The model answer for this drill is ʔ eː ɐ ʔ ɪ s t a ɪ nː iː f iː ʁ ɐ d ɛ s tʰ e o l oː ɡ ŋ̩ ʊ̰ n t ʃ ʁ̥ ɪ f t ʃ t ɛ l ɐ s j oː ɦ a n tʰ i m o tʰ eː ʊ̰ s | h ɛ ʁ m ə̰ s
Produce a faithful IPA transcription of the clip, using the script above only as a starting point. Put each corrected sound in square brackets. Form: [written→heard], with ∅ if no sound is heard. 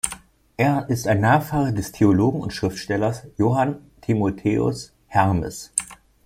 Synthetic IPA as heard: ʔ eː ɐ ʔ ɪ s t a ɪ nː [iː→aː] f [iː→aː] ʁ ɐ d ɛ s tʰ e o l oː ɡ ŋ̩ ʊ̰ n t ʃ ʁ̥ ɪ f t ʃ t ɛ l ɐ s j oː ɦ a n tʰ i m o tʰ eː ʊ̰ s | h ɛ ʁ m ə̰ s